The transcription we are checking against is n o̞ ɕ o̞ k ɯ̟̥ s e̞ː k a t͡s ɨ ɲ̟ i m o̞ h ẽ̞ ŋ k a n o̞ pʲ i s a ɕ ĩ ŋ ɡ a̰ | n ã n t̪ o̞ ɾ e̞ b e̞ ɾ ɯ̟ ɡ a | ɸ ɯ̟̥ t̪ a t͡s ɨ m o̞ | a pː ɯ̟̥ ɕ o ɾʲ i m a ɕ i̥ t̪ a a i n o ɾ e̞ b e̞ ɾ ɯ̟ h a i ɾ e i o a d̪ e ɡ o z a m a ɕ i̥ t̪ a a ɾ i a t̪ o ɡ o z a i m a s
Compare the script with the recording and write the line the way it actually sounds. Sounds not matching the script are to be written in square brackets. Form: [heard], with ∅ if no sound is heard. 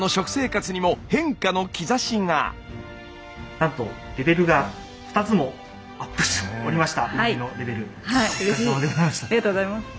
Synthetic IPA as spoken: n o̞ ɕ o̞ k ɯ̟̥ s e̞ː k a t͡s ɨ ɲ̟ i m o̞ h ẽ̞ ŋ k a n o̞ [kʲ] i [z] a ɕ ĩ ŋ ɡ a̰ | n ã n t̪ o̞ ɾ e̞ b e̞ ɾ ɯ̟ ɡ a | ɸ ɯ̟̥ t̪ a t͡s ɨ m o̞ | a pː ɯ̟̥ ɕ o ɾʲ i m a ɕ i̥ t̪ a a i n o ɾ e̞ b e̞ ɾ ɯ̟ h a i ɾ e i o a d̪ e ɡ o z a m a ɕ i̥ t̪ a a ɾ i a t̪ o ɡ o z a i m a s